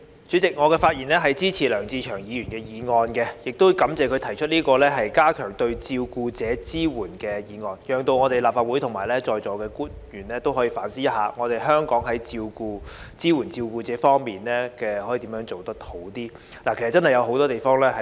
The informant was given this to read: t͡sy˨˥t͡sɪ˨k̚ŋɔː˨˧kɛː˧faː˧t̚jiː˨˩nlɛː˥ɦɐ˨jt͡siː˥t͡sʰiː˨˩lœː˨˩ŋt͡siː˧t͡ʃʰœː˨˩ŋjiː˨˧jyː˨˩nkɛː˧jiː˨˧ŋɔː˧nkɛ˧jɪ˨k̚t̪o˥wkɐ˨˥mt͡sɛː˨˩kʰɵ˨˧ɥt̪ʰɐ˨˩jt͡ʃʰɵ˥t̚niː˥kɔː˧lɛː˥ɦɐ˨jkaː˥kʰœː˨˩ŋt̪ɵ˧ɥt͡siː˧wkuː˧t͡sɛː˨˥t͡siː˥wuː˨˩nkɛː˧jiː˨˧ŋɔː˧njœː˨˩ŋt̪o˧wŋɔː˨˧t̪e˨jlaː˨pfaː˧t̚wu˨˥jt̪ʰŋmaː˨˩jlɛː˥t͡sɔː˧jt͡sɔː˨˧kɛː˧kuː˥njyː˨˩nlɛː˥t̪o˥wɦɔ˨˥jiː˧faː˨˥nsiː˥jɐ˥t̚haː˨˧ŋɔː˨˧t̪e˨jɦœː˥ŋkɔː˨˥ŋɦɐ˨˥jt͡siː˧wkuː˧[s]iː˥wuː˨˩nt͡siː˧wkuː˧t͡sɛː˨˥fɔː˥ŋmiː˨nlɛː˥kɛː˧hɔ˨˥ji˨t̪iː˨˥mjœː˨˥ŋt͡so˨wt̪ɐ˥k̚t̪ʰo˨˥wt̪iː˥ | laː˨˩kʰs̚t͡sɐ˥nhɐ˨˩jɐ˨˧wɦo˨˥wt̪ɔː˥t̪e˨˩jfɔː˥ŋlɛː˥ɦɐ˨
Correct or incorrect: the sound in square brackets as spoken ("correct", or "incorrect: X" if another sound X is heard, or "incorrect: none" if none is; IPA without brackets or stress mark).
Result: incorrect: t͡s